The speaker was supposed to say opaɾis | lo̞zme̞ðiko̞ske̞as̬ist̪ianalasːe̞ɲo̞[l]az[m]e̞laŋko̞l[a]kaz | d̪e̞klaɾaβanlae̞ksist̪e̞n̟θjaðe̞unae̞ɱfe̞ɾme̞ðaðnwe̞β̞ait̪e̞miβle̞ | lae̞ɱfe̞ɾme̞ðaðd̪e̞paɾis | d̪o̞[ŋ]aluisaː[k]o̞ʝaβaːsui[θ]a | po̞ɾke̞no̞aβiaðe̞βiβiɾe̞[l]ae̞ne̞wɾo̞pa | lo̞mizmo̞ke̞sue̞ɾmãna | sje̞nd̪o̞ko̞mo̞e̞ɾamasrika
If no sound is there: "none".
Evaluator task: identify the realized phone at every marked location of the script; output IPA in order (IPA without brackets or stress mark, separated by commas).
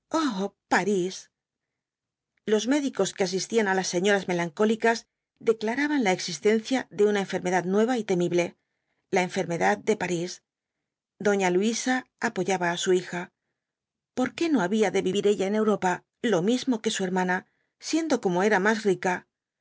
ɾ, m, i, ɲ, p, x, ʎ